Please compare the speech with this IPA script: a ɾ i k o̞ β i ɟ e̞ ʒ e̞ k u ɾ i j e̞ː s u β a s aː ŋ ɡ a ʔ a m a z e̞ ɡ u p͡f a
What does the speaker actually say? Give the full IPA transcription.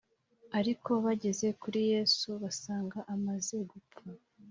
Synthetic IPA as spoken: a ɾ i k o̞ β a ɟ e̞ z e̞ k u ɾ i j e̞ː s u β a s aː ŋ ɡ a ʔ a m a z e̞ ɡ u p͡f a